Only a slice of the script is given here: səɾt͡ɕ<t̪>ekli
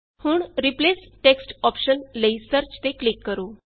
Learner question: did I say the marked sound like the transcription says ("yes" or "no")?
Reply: yes